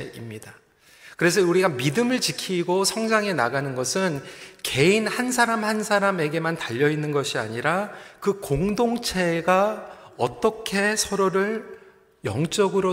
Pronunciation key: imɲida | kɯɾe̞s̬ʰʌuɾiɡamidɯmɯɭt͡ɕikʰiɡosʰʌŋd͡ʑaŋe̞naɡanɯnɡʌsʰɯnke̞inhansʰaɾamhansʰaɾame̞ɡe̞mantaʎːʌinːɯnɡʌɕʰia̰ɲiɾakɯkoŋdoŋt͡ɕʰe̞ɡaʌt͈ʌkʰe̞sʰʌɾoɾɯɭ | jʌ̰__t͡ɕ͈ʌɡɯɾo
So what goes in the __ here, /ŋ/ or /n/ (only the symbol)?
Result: ŋ